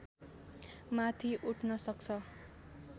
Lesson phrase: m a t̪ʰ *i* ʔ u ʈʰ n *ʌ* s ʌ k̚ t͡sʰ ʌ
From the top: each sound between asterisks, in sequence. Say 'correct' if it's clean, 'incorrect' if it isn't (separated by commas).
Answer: correct, correct